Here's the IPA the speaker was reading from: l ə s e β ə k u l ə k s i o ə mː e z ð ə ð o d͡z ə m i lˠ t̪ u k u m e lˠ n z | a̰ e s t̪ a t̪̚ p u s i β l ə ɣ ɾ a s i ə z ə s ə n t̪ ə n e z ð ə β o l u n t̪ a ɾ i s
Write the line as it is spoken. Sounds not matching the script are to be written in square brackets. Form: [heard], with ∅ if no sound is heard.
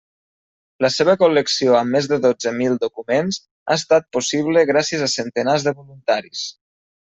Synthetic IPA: l ə s e β ə k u l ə k s i o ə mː e z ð ə ð o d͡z ə m i lˠ [d̪] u k u m e [∅] n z | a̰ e s t̪ a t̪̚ p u s i β l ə ɣ ɾ a s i ə z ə s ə n t̪ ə n [a] z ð ə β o l u n t̪ a ɾ i s

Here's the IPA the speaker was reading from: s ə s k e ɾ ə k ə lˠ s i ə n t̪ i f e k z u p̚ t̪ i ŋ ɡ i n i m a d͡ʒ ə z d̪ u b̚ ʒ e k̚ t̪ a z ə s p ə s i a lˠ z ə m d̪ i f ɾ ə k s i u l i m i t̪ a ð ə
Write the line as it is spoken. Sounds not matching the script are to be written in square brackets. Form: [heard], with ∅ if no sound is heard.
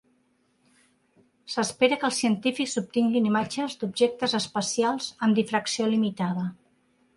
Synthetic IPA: s ə s [p] e ɾ ə k ə lˠ s i ə n t̪ i f [i] k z u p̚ t̪ i ŋ ɡ i n i m a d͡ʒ ə z d̪ u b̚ ʒ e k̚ t̪ [ə] z ə s p ə s i a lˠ z ə m d̪ i f ɾ ə k s i [o] l i m i t̪ a ð ə

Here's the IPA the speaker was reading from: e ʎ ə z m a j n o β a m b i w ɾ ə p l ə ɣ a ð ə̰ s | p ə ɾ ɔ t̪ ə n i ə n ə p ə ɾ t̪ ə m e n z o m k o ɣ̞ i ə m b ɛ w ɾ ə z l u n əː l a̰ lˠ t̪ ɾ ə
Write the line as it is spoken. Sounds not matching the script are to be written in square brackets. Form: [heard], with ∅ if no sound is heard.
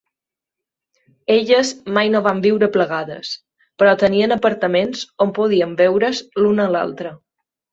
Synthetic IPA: e ʎ ə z m a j n o β a m b i w ɾ ə p l ə ɣ a ð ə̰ s | p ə ɾ ɔ t̪ ə n i ə n ə p ə ɾ t̪ ə m e n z o m [p] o [ð̞] i ə m b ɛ w ɾ ə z l u n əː l a̰ lˠ t̪ ɾ ə

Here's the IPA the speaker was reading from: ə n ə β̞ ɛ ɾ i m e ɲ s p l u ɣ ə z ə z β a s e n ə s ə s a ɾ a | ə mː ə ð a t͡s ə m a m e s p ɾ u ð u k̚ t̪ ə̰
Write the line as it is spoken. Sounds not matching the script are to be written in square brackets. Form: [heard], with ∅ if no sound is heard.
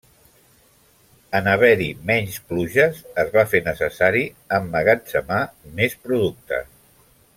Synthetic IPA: ə n ə β̞ ɛ ɾ i m [ɛ] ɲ s p l u [ʒ] ə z ə z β a [f] e n ə s ə s a ɾ [i] | ə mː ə [ɣ] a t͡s ə m a m e s p ɾ u ð u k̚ t̪ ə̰

